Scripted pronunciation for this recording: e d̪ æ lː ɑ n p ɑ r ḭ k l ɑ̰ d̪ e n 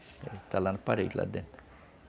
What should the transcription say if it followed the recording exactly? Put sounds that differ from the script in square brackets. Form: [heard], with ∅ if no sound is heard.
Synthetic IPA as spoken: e [t̪] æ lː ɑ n p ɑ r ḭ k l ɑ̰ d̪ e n